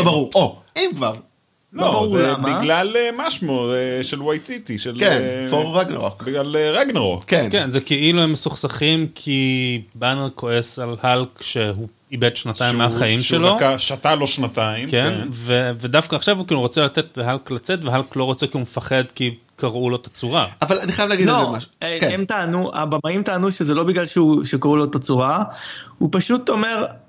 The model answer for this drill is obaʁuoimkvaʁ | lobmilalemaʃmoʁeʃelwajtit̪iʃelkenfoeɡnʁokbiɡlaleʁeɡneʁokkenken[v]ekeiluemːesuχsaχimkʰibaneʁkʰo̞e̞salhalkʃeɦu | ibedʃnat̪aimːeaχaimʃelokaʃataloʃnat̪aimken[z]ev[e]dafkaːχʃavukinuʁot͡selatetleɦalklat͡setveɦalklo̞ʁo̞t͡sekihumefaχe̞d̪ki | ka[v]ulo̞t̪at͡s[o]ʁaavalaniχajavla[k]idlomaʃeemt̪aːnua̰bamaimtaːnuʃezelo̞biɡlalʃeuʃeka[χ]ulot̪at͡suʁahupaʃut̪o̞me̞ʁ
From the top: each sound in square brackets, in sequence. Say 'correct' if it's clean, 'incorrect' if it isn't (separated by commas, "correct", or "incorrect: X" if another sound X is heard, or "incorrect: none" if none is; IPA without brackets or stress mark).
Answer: incorrect: z, incorrect: v, correct, incorrect: ʁ, incorrect: u, incorrect: ɡ, incorrect: ʁ